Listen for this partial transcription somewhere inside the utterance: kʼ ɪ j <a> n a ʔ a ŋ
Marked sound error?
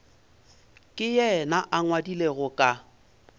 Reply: yes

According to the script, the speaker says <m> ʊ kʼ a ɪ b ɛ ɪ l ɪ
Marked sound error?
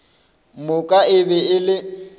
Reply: no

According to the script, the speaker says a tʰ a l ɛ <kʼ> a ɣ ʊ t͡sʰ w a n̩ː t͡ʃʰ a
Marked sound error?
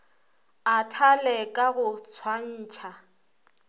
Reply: no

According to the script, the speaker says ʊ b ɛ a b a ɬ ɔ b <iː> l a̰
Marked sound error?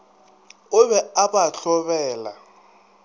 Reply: yes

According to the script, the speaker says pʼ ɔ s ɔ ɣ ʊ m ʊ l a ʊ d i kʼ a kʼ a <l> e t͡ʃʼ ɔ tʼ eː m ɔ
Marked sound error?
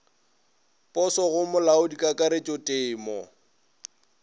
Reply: yes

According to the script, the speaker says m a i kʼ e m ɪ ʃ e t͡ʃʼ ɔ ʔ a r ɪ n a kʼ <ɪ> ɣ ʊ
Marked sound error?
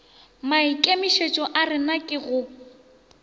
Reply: no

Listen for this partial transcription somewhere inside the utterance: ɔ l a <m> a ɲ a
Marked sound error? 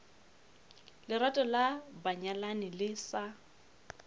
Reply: yes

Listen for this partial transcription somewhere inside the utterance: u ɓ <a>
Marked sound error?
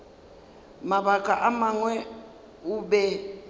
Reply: yes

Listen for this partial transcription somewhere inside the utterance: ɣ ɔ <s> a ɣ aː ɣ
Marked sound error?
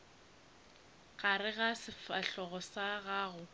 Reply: no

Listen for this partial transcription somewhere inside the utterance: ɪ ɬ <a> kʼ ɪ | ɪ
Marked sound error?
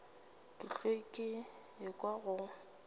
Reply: yes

